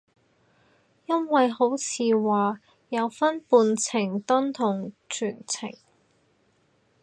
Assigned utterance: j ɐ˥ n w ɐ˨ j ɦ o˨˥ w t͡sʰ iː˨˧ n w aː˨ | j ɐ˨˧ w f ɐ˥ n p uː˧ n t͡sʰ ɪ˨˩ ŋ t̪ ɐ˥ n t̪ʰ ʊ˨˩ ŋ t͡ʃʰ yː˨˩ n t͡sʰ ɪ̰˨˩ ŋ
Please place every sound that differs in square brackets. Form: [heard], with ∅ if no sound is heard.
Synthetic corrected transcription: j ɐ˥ n w ɐ˨ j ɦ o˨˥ w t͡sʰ iː˨˧ [∅] w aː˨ | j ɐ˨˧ w f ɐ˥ n p uː˧ n t͡sʰ ɪ˨˩ ŋ t̪ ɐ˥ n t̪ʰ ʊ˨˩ ŋ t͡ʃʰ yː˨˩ n t͡sʰ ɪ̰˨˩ ŋ